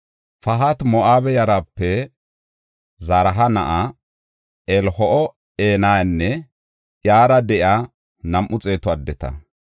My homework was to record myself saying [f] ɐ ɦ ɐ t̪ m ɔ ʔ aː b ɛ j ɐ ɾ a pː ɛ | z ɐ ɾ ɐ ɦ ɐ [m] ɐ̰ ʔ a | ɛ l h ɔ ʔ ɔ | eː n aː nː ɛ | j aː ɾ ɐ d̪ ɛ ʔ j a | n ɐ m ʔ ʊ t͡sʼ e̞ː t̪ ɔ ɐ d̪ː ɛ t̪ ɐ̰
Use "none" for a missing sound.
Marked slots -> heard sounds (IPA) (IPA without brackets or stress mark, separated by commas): f, n